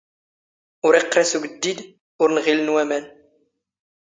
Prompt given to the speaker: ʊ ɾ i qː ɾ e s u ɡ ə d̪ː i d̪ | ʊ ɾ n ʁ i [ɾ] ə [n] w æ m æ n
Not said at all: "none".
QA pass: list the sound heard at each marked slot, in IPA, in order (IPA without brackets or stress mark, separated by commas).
l, n